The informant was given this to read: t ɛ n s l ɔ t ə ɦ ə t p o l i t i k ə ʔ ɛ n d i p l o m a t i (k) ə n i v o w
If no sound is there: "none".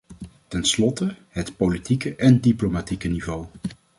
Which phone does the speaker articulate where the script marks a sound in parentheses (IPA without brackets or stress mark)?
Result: k